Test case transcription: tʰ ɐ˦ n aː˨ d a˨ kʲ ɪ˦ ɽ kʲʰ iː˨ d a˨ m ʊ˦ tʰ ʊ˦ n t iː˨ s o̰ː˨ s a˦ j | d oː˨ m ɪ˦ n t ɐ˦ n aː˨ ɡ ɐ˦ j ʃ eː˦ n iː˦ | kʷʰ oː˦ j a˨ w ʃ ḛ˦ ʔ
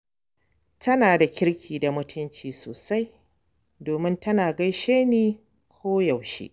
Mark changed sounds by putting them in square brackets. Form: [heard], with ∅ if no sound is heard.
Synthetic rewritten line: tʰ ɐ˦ n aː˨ d a˨ kʲ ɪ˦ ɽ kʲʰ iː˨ d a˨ m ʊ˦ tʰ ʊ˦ n [t͡ʃ] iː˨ s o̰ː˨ s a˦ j | d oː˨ m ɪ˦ n t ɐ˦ n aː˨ ɡ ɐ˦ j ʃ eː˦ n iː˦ | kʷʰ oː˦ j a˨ w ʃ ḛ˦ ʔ